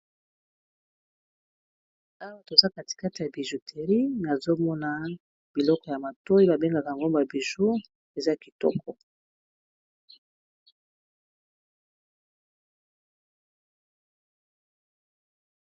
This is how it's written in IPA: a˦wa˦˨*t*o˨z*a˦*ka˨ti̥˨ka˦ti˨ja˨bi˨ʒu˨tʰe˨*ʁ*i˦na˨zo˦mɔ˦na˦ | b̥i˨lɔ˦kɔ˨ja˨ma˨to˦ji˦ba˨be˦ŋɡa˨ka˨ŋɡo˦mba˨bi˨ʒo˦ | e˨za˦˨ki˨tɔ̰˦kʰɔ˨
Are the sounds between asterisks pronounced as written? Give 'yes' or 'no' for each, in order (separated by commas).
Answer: yes, yes, yes